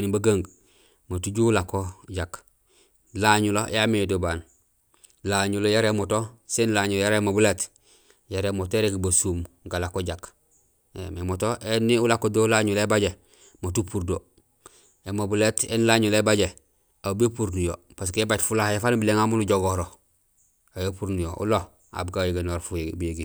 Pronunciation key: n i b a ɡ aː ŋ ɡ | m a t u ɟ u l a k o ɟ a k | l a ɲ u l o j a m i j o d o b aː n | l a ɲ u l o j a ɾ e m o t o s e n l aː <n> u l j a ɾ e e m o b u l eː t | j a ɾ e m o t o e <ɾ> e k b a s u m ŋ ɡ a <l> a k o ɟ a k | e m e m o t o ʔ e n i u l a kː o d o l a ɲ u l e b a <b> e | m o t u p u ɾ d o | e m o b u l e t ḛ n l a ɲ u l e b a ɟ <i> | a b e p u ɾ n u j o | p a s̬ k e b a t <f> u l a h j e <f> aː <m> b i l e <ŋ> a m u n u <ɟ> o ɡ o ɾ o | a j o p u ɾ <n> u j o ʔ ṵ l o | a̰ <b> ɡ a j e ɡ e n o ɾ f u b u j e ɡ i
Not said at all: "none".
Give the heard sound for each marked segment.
ɲ, ɾ, l, ɟ, e, f, f, n, ŋ, ɟ, n, b

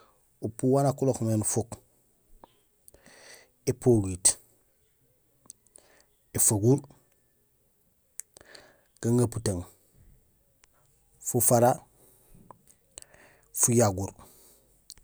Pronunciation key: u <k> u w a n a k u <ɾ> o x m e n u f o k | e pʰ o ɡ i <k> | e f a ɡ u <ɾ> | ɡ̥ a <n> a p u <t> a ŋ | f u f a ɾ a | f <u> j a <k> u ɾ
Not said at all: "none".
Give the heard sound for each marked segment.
p, l, t, ɾ, ŋ, t, u, ɡ

